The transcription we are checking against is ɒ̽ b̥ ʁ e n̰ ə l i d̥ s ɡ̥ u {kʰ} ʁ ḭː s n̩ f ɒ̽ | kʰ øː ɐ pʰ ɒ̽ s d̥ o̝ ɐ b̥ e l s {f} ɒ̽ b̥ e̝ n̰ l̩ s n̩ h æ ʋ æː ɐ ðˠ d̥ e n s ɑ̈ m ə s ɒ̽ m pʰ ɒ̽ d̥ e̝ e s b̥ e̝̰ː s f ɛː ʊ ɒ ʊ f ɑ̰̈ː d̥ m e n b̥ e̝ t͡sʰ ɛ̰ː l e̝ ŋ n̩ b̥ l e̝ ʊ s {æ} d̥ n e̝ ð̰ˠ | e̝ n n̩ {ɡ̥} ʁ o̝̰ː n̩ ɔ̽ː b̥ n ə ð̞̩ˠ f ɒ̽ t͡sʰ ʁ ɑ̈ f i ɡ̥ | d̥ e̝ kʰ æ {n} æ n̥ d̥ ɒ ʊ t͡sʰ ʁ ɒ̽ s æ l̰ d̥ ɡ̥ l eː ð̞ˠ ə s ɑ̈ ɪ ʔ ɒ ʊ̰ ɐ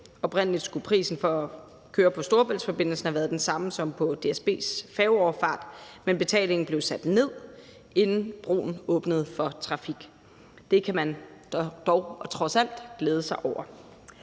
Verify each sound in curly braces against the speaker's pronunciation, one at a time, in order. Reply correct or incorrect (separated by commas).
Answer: incorrect, correct, correct, incorrect, incorrect